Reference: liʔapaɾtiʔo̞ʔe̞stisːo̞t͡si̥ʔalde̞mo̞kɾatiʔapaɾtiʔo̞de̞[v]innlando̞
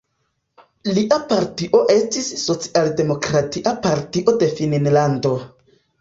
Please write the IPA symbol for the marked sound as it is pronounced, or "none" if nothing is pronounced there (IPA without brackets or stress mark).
f